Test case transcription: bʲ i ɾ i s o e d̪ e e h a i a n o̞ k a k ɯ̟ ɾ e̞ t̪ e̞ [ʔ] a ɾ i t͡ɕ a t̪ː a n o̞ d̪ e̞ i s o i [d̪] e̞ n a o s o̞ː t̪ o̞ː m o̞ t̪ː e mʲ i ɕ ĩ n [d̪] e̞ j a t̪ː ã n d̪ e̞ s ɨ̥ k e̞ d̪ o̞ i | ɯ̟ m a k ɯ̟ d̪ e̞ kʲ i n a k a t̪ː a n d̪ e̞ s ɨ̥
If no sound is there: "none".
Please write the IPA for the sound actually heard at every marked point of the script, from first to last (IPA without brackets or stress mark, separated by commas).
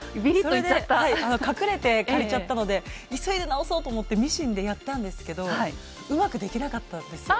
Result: k, d̪, d̪